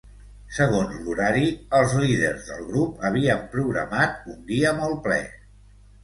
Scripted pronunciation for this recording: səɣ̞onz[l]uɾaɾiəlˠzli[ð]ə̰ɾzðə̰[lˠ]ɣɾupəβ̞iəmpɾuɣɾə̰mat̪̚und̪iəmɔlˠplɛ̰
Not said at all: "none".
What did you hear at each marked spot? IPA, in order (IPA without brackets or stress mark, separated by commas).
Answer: l, ð, lˠ